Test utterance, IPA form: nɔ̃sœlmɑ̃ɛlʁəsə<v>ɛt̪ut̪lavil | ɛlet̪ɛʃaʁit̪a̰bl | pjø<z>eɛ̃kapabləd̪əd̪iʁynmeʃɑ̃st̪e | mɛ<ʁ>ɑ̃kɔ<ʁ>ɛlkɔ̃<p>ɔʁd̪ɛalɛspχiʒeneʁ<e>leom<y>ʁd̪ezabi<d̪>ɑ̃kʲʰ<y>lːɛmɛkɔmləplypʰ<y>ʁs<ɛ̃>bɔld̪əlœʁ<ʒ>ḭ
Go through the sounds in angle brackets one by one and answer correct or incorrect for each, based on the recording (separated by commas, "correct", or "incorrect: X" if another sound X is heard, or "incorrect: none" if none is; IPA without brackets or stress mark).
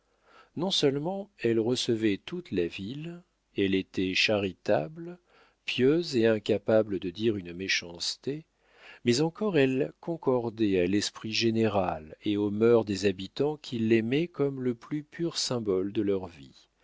correct, correct, incorrect: z, correct, incorrect: k, incorrect: a, incorrect: œ, incorrect: t̪, incorrect: i, correct, correct, incorrect: v